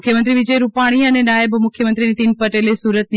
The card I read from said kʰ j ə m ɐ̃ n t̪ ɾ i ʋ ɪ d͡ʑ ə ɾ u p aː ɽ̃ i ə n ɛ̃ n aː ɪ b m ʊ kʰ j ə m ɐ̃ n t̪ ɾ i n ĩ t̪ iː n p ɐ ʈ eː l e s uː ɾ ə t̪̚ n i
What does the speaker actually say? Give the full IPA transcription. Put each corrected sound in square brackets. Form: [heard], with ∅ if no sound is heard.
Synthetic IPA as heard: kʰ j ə m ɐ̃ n t̪ ɾ i ʋ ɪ d͡ʑ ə ɾ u p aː ɽ̃ i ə n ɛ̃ n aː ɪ b m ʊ kʰ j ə m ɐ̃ n t̪ ɾ i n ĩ t̪ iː n p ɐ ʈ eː l e s uː ɾ ə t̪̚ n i

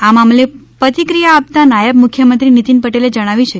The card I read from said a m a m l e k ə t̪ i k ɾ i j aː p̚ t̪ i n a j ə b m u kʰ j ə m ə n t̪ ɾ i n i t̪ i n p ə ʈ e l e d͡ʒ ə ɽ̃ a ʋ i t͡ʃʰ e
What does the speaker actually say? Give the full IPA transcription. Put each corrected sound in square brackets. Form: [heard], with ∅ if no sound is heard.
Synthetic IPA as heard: a m a m l e [p] ə t̪ i k ɾ i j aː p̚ t̪ [a] n a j ə b m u kʰ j ə m ə n t̪ ɾ i n i t̪ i n p ə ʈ e l e d͡ʒ ə ɽ̃ a ʋ i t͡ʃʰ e

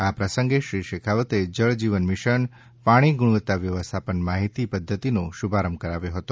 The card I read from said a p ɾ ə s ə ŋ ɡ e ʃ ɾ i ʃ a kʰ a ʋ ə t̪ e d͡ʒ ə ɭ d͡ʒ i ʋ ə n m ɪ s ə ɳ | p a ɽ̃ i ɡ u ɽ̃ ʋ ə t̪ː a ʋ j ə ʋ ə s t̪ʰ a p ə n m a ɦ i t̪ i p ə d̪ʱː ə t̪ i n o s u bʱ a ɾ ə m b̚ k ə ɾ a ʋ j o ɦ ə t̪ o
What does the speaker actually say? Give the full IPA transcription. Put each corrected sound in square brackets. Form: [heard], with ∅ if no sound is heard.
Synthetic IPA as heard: a p ɾ ə s ə ŋ ɡ e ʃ ɾ i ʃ [e] kʰ a ʋ ə t̪ e d͡ʒ ə ɭ d͡ʒ i ʋ ə n m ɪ [ʃ] ə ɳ | p a ɽ̃ i ɡ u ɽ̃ ʋ ə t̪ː a ʋ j ə ʋ ə s t̪ʰ a p ə n m a ɦ i t̪ i p ə d̪ʱː ə t̪ i n o [ʃ] u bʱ a ɾ ə m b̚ k ə ɾ a ʋ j o ɦ ə t̪ o

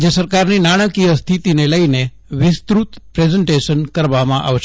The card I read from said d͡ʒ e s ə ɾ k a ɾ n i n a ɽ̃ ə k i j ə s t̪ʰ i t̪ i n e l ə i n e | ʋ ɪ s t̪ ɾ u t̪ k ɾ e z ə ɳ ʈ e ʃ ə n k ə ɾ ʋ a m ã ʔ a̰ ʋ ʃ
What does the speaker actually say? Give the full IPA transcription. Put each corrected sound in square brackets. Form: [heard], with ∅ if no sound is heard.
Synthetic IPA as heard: d͡ʒ e s ə ɾ k a ɾ n i n a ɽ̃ ə k i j ə s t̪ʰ i t̪ i n e l ə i n e | ʋ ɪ s t̪ ɾ u t̪ [p] ɾ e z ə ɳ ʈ e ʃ ə n k ə ɾ ʋ a m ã ʔ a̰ ʋ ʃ

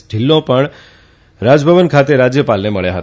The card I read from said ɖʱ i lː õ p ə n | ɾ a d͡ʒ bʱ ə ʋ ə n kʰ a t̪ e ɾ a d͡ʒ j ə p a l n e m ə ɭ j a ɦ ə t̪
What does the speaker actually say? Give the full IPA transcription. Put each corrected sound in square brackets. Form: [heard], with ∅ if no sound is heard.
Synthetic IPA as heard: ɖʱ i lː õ p ə [ɳ] | ɾ a d͡ʒ bʱ ə ʋ ə n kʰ a t̪ e ɾ a d͡ʒ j ə p a l n e m ə ɭ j a ɦ ə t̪

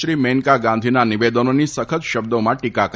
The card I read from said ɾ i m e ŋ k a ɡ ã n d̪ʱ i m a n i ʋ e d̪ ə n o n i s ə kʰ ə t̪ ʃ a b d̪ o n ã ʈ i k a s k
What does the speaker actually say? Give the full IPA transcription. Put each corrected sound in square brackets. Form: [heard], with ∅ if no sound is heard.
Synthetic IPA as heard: ɾ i m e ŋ k a ɡ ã n d̪ʱ i [n] a n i ʋ e d̪ ə n o n i s ə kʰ ə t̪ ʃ [ə] b d̪ o [m] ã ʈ i k a [∅] k

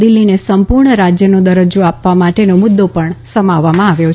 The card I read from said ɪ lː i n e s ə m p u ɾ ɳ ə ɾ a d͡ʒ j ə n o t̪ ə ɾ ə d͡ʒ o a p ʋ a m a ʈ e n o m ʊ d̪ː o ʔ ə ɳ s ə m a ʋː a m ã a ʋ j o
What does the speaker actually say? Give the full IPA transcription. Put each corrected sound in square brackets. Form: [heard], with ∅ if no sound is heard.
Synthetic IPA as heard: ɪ lː i n e s ə m p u ɾ ɳ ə ɾ a d͡ʒ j ə n o [d̪] ə ɾ ə d͡ʒ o a p ʋ a m a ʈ e n o m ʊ d̪ː o [p] ə ɳ s ə m a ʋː a m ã a ʋ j o

